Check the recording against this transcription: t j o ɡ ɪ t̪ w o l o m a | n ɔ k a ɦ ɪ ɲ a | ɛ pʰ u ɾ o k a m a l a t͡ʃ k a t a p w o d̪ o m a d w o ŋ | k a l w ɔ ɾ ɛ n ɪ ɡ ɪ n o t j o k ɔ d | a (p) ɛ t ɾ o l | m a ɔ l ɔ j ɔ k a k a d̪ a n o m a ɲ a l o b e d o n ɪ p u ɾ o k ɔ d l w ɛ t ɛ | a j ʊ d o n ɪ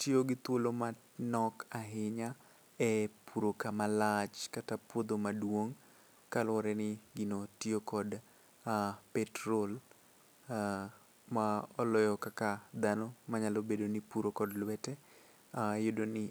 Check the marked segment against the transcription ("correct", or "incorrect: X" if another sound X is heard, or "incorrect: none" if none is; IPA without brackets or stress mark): correct